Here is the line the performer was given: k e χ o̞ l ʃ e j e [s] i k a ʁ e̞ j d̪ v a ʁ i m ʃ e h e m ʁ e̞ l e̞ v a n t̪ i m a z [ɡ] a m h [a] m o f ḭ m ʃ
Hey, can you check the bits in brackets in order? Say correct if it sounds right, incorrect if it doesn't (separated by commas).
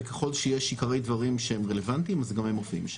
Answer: incorrect, correct, incorrect